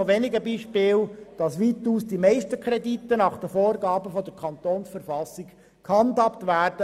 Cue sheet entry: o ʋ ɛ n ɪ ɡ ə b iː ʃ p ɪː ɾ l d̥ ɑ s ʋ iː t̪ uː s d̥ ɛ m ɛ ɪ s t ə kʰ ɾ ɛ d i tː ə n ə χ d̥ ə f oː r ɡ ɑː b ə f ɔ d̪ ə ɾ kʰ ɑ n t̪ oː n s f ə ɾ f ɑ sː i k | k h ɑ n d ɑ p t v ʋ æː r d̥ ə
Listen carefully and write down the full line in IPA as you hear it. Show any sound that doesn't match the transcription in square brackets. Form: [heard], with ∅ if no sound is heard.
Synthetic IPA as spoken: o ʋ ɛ n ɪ ɡ ə b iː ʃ p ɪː [∅] l d̥ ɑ s ʋ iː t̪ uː s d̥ [i] m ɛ ɪ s t ə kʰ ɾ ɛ d i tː ə n [ɑ] χ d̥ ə f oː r ɡ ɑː b ə f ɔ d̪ ə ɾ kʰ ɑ n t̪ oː n s f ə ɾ f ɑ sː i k | k h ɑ n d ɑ p t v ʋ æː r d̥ ə